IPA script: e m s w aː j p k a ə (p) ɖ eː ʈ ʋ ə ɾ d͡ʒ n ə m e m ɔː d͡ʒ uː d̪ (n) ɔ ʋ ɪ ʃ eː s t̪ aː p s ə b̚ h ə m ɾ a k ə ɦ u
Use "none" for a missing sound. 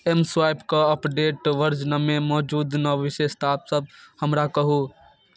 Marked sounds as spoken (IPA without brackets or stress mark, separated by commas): p, n